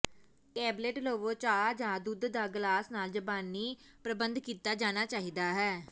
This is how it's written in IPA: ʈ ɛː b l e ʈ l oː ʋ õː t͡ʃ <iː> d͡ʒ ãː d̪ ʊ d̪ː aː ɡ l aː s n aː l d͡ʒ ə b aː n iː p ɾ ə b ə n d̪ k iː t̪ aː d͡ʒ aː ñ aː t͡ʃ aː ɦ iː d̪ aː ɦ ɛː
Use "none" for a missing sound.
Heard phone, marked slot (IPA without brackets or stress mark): aː